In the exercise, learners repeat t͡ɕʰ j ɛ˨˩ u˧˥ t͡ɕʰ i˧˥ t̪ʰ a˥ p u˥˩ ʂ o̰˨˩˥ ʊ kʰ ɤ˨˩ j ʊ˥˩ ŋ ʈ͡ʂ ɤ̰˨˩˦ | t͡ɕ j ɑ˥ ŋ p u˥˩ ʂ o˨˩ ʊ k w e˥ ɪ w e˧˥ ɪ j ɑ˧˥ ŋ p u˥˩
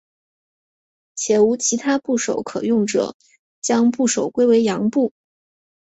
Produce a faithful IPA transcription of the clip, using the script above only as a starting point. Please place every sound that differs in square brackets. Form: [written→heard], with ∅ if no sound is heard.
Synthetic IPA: t͡ɕʰ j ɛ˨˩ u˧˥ t͡ɕʰ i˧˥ t̪ʰ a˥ p u˥˩ ʂ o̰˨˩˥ ʊ kʰ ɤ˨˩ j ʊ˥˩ ŋ ʈ͡ʂ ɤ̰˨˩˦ | t͡ɕ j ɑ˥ ŋ p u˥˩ ʂ o˨˩ ʊ k w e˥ ɪ w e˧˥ ɪ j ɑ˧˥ ŋ p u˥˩